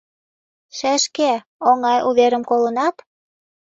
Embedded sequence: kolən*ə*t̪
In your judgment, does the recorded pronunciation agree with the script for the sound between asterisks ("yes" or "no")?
no